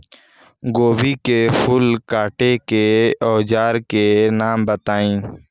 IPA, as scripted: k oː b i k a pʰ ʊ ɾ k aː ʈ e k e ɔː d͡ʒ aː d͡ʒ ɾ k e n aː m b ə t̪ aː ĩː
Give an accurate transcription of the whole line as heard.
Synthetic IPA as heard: ɡ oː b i k e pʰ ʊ l k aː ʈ e k e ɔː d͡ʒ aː ɾ k e n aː m b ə t̪ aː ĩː